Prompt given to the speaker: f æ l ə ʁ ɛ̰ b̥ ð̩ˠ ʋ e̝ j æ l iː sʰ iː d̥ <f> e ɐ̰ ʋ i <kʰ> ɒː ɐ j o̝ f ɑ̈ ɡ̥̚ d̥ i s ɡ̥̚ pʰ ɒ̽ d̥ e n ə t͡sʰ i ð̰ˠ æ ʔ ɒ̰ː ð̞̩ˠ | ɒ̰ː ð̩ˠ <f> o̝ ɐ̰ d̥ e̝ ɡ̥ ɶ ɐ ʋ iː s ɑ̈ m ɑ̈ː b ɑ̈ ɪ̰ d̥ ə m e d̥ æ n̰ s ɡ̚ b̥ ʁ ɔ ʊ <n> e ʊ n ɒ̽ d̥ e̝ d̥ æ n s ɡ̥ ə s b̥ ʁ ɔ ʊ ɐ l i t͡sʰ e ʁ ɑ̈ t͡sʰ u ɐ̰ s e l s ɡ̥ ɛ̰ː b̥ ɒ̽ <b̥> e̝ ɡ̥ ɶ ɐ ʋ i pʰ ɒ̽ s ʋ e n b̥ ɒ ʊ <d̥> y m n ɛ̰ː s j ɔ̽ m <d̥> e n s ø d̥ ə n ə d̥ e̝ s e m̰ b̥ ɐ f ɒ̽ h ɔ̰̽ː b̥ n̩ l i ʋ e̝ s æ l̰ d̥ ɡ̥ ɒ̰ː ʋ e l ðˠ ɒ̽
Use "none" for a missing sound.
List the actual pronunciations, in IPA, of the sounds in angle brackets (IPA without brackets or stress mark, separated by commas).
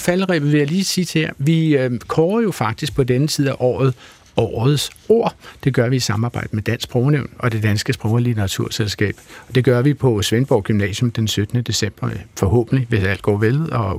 h, kʰ, s, n, d̥, ɡ̥, d̥